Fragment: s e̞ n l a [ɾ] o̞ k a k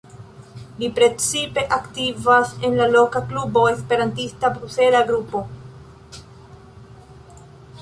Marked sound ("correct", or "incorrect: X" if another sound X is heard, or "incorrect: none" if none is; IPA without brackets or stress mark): incorrect: l